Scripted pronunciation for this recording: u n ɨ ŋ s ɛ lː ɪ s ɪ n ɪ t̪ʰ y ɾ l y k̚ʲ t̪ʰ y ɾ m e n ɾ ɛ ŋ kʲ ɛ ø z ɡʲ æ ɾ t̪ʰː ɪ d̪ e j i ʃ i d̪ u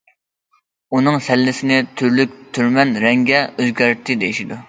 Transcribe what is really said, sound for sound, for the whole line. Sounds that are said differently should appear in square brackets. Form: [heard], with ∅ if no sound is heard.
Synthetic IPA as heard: u n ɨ ŋ s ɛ lː ɪ s ɪ n ɪ t̪ʰ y ɾ l y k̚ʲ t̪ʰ y ɾ m [ɛ] n ɾ ɛ ŋ [ɡʲ] ɛ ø z ɡʲ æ ɾ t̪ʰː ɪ d̪ e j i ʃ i d̪ u